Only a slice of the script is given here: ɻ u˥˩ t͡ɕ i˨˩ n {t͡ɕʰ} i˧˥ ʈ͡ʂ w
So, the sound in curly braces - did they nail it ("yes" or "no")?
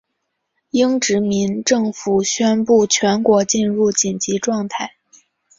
no